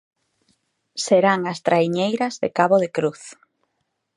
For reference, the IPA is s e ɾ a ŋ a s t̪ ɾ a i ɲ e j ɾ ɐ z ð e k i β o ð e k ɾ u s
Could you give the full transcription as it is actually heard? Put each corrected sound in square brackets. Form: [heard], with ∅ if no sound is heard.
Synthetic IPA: s e ɾ a ŋ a s t̪ ɾ a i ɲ e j ɾ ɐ z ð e k [a] β o ð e k ɾ u [θ]